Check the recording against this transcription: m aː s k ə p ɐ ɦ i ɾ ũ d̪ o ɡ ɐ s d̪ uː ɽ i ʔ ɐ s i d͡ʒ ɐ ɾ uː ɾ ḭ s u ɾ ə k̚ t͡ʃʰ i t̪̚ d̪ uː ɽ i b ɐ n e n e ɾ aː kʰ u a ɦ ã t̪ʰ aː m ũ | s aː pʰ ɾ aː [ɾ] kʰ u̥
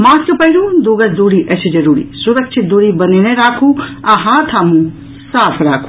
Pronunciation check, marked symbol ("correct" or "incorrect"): incorrect